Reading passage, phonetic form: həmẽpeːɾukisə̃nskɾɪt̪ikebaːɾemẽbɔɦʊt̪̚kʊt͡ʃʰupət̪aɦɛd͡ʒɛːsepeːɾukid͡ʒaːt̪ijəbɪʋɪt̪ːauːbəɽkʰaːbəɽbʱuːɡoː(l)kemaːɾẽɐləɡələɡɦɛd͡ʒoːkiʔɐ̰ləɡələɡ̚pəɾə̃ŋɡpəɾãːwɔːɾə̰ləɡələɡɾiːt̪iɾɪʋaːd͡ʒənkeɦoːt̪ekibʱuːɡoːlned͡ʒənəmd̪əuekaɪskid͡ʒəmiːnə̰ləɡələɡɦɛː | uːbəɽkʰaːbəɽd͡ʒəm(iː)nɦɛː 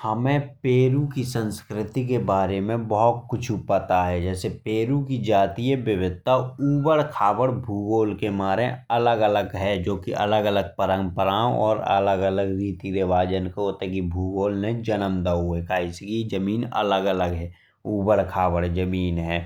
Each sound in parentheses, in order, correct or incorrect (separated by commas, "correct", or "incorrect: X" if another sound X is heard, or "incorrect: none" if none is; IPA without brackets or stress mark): correct, correct